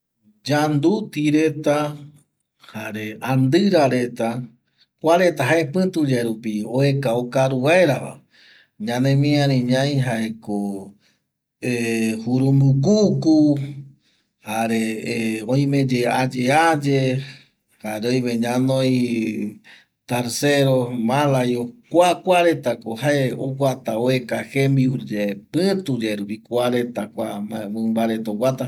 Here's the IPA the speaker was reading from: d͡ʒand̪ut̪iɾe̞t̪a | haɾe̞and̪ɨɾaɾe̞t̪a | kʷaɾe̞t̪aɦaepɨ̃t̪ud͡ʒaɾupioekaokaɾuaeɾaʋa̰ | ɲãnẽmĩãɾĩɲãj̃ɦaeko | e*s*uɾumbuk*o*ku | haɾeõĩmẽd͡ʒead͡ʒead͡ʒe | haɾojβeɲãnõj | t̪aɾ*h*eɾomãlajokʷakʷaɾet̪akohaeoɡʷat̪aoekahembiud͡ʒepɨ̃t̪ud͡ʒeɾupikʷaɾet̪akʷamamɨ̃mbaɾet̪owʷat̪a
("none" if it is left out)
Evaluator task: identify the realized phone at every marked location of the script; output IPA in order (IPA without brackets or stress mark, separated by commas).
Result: h, u, s